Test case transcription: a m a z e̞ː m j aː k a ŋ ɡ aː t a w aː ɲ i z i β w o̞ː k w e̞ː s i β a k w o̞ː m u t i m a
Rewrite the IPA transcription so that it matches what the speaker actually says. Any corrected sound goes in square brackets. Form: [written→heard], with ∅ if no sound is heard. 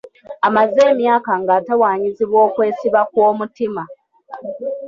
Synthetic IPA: a m a z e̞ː m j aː k a ŋ ɡ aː t a w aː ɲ i z i β w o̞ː k w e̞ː s i β a k w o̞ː m u t i m a